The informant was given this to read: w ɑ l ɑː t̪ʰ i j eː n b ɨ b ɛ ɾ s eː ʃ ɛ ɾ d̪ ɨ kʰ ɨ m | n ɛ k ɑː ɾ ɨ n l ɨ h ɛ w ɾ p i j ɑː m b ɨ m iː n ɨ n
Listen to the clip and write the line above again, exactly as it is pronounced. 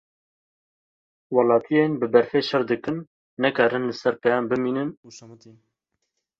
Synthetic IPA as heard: w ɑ l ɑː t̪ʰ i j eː n b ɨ b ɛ ɾ f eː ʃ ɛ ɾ d̪ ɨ k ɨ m | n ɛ k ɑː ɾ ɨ n l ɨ s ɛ ɾ p ɛ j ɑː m b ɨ m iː n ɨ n